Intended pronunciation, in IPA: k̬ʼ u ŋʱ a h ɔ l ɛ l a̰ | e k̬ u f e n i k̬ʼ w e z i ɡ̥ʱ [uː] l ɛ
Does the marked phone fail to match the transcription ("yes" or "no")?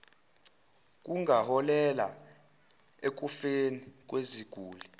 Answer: no